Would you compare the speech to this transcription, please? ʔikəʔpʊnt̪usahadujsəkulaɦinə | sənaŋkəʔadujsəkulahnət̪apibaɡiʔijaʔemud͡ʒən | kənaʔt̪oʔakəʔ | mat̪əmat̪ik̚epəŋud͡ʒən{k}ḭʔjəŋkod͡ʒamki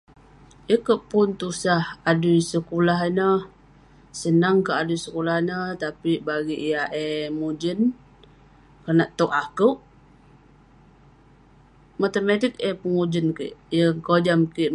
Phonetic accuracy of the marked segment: correct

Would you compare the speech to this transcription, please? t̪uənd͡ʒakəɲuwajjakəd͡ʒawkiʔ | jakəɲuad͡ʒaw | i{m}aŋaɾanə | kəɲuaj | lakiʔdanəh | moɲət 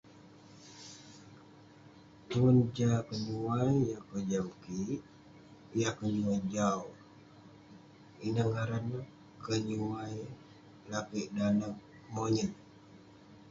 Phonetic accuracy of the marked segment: incorrect: n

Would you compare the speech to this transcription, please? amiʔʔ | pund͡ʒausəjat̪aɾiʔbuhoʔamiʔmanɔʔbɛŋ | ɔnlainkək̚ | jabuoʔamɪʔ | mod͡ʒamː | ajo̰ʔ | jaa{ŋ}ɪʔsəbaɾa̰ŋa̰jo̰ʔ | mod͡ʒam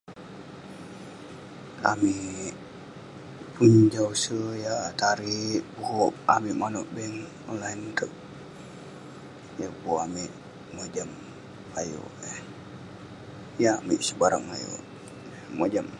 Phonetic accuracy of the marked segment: incorrect: m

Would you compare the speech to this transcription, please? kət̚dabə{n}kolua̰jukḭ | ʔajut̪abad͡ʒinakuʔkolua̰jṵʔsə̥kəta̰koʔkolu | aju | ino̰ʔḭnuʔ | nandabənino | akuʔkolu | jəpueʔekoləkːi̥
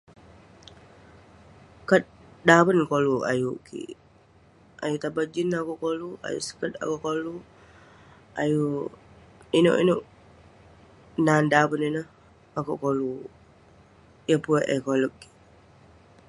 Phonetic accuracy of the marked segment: correct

